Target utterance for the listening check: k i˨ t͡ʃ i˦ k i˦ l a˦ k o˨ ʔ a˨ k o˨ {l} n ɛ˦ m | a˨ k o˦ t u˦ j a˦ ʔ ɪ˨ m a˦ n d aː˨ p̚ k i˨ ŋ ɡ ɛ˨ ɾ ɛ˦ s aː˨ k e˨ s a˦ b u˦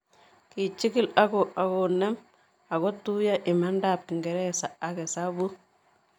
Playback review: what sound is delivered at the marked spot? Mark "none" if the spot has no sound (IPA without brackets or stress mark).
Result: none